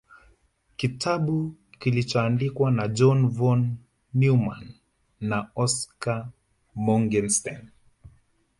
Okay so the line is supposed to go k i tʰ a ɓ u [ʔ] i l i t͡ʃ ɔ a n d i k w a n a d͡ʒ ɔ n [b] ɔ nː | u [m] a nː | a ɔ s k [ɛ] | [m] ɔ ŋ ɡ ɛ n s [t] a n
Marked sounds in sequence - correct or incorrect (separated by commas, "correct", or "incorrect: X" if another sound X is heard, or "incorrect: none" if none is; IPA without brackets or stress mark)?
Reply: incorrect: k, incorrect: v, correct, incorrect: a, correct, correct